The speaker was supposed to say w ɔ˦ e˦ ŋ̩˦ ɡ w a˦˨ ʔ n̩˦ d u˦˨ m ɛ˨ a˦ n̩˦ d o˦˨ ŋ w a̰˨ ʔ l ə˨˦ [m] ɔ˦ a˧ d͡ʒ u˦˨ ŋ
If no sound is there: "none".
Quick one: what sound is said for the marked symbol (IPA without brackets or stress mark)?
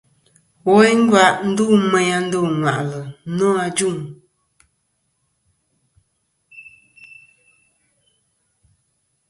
n